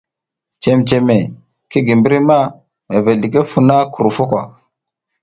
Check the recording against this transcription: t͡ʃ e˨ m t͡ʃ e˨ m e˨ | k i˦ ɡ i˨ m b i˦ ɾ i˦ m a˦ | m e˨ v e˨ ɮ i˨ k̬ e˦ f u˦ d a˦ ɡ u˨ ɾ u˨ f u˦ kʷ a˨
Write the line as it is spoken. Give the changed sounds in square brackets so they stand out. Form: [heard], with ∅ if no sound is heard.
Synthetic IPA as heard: t͡ʃ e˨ m t͡ʃ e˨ m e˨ | k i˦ ɡ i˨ m b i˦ ɾ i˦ m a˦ | m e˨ v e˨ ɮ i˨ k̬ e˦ f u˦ [n] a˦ [k] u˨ ɾ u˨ f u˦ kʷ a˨